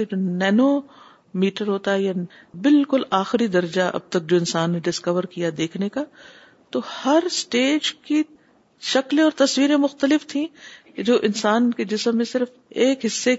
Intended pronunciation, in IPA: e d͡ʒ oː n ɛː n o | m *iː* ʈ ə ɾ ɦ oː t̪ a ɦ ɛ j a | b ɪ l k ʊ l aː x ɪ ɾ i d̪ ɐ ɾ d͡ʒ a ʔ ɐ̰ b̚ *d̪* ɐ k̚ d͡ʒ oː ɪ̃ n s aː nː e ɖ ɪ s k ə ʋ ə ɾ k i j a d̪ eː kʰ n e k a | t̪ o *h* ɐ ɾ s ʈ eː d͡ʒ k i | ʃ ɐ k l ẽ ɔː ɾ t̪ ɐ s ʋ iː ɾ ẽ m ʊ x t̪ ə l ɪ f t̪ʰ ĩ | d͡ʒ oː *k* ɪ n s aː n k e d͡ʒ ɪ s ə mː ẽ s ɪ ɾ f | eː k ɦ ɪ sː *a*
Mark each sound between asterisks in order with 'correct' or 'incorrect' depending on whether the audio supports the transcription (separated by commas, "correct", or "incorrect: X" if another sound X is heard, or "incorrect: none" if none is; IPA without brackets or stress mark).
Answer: correct, incorrect: t̪, correct, incorrect: ʔ, incorrect: e